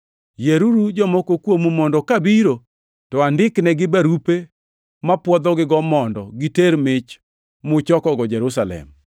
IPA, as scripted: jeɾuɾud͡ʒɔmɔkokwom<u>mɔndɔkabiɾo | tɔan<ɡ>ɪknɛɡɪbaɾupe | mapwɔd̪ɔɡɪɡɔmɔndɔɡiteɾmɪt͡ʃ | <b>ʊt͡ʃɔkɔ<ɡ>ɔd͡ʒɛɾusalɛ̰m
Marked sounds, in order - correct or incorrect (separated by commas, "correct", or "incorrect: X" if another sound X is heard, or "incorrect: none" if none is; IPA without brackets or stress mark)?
correct, incorrect: d, incorrect: m, correct